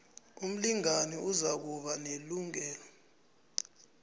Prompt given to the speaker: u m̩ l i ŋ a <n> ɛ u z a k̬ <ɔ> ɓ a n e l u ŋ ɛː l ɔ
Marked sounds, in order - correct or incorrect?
correct, incorrect

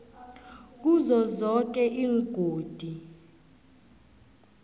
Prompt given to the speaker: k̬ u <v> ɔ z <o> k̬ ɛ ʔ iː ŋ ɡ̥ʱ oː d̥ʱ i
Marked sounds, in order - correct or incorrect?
incorrect, incorrect

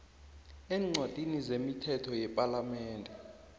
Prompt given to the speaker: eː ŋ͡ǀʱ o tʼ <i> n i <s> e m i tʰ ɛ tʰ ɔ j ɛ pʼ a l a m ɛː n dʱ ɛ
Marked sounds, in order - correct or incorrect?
correct, incorrect

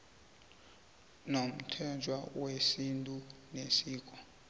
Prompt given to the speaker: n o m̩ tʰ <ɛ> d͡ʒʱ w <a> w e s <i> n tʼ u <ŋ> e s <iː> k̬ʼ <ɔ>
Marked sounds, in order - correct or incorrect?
correct, correct, correct, incorrect, correct, correct

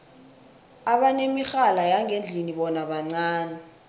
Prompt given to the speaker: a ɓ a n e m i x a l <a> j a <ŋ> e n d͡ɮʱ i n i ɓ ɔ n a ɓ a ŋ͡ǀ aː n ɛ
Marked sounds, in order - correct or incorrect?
correct, correct

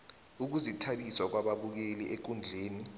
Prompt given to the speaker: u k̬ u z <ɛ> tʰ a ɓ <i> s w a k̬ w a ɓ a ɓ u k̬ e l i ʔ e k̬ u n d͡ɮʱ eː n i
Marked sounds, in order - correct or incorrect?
incorrect, correct

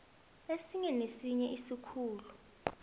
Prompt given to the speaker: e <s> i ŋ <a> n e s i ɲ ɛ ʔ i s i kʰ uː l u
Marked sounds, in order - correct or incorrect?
correct, incorrect

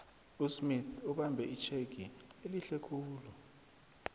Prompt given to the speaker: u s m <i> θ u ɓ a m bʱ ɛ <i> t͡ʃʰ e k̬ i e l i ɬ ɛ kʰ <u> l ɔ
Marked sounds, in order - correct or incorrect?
correct, correct, incorrect

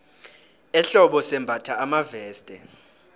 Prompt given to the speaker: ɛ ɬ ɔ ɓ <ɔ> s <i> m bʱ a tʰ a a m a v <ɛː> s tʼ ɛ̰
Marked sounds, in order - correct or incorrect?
correct, incorrect, correct

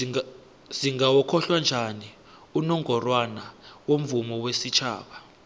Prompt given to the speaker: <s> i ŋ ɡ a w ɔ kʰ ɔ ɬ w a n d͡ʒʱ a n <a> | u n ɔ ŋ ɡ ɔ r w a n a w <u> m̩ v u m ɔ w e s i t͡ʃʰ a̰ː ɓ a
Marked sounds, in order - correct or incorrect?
incorrect, incorrect, incorrect

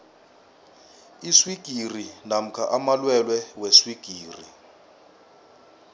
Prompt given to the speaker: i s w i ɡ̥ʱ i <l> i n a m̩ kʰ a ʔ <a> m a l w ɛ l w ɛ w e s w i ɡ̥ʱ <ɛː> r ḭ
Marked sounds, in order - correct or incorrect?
incorrect, correct, incorrect

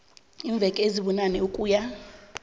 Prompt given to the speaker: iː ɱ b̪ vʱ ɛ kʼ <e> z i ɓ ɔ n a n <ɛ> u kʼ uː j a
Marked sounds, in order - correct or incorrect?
correct, correct

